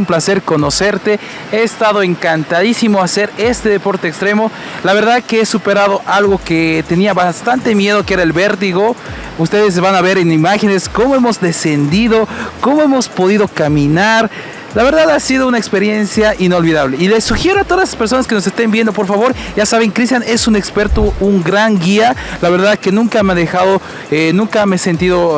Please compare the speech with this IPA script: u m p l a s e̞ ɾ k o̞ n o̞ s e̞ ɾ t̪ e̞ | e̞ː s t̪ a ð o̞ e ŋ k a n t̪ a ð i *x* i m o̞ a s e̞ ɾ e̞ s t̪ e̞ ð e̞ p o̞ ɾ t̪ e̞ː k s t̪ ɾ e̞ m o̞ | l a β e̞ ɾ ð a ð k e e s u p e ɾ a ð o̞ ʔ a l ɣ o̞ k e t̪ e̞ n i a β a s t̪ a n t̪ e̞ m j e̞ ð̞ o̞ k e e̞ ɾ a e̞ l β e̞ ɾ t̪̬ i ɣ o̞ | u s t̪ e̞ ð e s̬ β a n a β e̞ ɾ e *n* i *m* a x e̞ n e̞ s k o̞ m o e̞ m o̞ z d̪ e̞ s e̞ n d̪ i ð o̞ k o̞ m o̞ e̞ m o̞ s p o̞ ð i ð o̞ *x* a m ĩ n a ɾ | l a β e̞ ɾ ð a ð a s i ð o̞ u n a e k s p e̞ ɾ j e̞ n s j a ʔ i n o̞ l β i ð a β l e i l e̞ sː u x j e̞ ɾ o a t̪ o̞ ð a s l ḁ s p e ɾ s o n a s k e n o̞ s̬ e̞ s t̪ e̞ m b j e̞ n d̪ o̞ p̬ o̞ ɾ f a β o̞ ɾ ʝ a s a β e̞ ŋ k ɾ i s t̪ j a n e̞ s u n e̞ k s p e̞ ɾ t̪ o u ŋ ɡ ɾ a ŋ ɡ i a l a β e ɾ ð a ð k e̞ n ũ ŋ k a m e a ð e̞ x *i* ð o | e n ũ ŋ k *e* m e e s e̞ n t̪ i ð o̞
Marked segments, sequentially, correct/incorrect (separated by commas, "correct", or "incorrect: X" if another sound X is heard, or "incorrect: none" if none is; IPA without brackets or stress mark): incorrect: s, correct, correct, incorrect: k, incorrect: a, incorrect: a